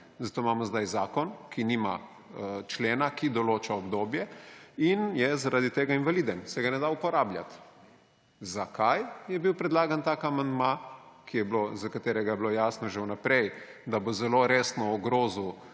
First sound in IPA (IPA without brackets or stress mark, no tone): z